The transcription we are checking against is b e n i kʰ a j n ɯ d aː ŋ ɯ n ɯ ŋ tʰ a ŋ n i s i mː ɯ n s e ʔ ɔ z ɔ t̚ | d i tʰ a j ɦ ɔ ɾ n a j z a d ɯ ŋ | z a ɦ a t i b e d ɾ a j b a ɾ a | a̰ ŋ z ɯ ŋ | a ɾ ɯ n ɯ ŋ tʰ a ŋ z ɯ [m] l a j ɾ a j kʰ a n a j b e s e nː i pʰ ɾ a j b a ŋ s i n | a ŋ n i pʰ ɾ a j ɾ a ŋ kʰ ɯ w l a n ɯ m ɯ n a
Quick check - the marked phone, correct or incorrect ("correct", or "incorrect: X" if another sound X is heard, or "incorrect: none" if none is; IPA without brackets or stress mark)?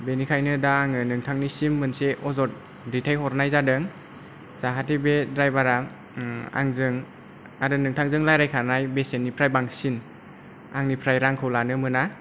incorrect: ŋ